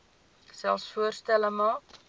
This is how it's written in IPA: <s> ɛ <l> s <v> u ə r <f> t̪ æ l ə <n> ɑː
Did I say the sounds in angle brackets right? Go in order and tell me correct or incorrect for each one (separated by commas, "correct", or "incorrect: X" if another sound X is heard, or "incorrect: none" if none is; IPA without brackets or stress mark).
correct, correct, incorrect: f, incorrect: s, incorrect: m